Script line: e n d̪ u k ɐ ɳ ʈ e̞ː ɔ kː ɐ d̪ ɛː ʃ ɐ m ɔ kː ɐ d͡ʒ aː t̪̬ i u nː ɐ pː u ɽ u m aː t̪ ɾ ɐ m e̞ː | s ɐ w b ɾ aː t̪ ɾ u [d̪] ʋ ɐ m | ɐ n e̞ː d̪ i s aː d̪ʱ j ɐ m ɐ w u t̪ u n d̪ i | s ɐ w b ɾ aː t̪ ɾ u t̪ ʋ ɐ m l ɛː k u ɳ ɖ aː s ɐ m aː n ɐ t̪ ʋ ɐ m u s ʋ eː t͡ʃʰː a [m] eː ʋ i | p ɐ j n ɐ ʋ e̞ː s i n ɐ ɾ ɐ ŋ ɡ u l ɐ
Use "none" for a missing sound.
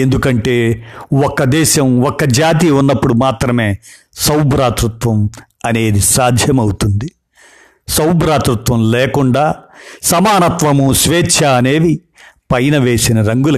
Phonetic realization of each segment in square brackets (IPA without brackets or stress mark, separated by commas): t̪, n